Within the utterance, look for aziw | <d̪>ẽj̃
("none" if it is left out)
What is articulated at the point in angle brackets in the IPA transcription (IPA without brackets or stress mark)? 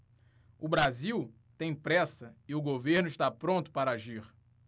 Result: t̪